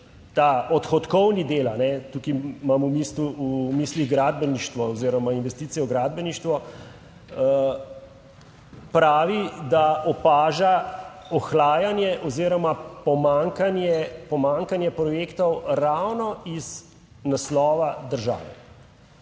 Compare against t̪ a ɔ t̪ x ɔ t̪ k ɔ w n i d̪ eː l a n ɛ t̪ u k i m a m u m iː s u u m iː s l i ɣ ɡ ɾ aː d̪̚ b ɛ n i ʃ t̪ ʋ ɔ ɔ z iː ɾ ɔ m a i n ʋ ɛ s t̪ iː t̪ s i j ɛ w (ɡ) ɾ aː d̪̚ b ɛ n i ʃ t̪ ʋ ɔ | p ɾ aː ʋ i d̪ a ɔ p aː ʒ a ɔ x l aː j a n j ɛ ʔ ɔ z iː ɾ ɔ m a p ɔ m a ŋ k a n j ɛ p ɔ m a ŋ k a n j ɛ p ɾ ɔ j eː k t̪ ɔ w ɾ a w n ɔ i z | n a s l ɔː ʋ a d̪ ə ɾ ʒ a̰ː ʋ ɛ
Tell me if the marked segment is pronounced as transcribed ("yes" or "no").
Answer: yes